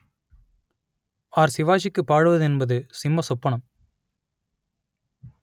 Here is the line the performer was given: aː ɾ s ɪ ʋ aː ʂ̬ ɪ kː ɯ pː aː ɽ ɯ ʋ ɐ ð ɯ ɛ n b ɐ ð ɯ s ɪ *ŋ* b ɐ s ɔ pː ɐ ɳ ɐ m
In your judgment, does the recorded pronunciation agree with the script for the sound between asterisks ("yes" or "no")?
no